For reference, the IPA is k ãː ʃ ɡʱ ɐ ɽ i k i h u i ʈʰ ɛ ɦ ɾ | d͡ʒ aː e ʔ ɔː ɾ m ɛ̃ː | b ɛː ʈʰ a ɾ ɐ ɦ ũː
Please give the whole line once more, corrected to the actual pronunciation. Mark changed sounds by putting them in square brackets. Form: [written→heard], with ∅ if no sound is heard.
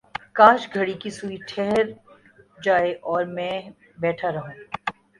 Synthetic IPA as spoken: k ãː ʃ ɡʱ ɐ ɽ i k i [h→s] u i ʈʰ ɛ ɦ ɾ | d͡ʒ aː e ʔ ɔː ɾ m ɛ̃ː | b ɛː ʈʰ a ɾ ɐ ɦ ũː